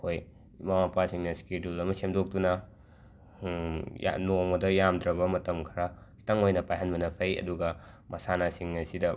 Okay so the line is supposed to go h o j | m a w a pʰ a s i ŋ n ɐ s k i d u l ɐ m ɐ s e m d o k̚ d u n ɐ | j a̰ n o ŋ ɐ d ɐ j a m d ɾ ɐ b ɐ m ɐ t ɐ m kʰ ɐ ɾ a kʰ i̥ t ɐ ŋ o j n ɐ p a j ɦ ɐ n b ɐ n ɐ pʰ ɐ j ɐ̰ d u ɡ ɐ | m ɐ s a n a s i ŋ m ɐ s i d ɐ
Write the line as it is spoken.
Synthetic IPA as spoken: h o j | m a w a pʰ a s i ŋ n ɐ s k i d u l ɐ m ɐ s e m d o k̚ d u n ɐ | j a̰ n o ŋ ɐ d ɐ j a m d ɾ ɐ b ɐ m ɐ t ɐ m kʰ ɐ ɾ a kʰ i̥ t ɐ ŋ o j n ɐ p a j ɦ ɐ n b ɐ n ɐ pʰ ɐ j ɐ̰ d u ɡ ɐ | m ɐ s a n a s i ŋ n ɐ s i d ɐ